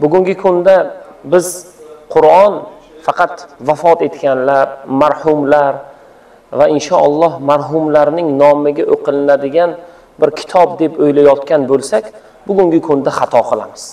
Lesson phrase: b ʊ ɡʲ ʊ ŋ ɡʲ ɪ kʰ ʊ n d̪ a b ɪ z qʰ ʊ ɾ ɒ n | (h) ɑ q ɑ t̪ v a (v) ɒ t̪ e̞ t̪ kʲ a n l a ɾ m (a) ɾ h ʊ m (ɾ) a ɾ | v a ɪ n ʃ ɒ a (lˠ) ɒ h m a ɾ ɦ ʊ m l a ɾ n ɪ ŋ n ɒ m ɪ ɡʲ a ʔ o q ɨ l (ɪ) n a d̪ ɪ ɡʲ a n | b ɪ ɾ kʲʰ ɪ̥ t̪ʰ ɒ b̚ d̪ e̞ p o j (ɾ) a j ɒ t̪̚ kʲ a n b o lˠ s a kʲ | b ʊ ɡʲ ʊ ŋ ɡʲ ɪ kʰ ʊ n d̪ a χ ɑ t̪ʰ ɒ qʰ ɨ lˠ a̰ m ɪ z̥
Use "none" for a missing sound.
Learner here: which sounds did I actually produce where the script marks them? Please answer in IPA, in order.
f, f, a, l, lˠː, ɪ, l

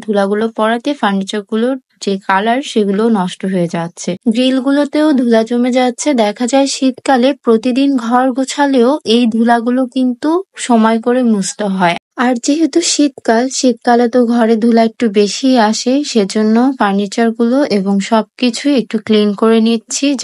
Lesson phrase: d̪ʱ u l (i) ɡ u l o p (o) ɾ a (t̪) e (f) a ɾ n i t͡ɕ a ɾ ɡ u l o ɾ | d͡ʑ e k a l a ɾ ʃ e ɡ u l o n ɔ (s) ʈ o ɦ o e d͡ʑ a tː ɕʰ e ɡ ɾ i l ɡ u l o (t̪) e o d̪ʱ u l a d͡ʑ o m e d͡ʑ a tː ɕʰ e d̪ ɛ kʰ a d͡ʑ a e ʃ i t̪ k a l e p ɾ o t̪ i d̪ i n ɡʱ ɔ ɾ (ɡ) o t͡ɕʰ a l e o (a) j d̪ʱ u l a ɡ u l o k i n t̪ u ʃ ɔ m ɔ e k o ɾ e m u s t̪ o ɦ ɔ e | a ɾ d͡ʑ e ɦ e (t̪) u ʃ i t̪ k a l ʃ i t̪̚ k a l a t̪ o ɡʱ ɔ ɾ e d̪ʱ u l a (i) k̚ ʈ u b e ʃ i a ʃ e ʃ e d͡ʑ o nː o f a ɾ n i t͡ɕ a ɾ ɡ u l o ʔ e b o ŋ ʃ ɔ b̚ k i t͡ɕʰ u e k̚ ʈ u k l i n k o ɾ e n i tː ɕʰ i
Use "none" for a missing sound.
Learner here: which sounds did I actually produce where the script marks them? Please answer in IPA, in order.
a, ɔ, t̪, f, ʃ, t̪, ɡ, e, t̪, e

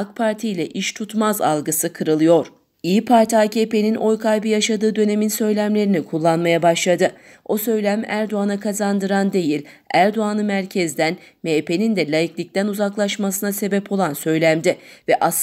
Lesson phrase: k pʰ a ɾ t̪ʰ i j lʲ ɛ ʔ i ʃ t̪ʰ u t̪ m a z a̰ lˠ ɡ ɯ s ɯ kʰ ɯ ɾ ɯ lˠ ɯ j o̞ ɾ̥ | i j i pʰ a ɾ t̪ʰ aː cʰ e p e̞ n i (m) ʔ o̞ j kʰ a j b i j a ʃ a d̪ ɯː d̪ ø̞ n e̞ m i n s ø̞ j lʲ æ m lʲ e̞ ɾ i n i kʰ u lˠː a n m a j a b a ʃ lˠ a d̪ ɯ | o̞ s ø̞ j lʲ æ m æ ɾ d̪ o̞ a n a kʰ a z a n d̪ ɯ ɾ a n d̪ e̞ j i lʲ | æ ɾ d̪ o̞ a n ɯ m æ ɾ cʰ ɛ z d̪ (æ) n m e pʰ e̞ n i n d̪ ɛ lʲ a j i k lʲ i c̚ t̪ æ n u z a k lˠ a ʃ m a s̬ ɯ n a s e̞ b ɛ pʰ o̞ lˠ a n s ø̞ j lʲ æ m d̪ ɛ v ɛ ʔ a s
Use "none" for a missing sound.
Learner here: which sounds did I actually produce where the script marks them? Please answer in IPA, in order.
n, æ

